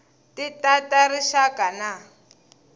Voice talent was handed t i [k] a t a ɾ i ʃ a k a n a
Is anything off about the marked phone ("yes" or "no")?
yes